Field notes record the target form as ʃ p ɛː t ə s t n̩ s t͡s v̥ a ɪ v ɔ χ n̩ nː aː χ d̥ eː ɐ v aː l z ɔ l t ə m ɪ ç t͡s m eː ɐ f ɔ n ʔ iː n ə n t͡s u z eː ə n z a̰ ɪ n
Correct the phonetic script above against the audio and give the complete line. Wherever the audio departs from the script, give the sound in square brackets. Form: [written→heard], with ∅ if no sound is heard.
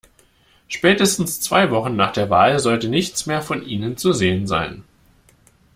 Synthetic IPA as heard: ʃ p ɛː t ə s t n̩ s t͡s v̥ a ɪ v ɔ χ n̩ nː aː χ d̥ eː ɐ v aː l z ɔ l t ə [m→n] ɪ ç t͡s m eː ɐ f ɔ n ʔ iː n ə n t͡s u z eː ə n z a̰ ɪ n